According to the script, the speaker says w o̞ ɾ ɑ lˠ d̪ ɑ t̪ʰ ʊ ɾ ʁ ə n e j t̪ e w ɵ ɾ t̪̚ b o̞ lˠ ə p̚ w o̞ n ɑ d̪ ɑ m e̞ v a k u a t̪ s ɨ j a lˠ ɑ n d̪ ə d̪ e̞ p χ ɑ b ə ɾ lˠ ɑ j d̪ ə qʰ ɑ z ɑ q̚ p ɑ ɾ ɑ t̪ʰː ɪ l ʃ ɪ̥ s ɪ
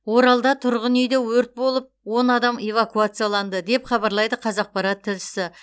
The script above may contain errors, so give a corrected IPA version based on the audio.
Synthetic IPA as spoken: w o̞ ɾ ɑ lˠ d̪ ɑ t̪ʰ ʊ ɾ ʁ ə n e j d̪ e w ɵ ɾ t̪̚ b o̞ lˠ ə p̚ w o̞ n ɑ d̪ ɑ m e̞ v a k u a t̪ s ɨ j a lˠ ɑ n d̪ ə d̪ e̞ p χ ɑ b ɑ ɾ lˠ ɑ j d̪ ə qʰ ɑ z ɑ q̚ p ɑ ɾ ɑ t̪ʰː ɪ l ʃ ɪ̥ s ɪ